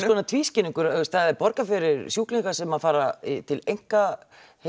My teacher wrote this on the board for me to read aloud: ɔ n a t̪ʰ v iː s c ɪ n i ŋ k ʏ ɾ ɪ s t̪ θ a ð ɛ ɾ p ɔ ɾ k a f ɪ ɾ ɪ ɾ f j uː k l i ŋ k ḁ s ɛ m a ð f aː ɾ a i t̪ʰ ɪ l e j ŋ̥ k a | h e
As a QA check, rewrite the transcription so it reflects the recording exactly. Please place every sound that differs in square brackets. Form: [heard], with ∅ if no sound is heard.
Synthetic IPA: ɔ n a t̪ʰ v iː s c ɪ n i ŋ k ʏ ɾ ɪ s t̪ θ a ð ɛ ɾ p ɔ ɾ k a f ɪ ɾ ɪ ɾ [s] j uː k l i ŋ k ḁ s ɛ m a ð f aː ɾ a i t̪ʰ ɪ l e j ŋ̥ k a | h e